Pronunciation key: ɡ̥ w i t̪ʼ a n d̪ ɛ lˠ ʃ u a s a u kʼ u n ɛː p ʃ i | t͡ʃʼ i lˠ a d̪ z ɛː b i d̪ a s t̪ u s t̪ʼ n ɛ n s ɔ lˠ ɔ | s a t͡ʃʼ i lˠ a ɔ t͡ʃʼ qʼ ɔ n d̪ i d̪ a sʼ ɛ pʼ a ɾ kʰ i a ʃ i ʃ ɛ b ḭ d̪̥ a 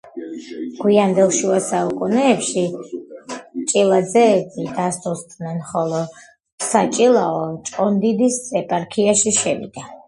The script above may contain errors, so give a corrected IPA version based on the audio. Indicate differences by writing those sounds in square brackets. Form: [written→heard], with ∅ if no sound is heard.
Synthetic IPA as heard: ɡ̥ w i [t̪ʼ→∅] a n d̪ ɛ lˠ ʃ u a s a u kʼ u n ɛː p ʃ i | t͡ʃʼ i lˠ a d̪ z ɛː b i d̪ a s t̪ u s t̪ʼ n ɛ n [s→χ] ɔ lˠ ɔ | s a t͡ʃʼ i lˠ a ɔ t͡ʃʼ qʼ ɔ n d̪ i d̪ [a→i] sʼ ɛ pʼ a ɾ kʰ i a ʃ i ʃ ɛ [b→v] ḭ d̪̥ a